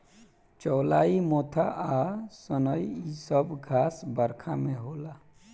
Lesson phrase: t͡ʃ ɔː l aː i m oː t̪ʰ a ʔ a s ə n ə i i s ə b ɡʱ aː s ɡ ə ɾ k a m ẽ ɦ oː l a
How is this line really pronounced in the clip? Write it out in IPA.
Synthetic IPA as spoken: t͡ʃ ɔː l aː i m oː t̪ʰ a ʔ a s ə n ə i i s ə b ɡʱ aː s b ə ɾ kʰ a m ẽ ɦ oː l a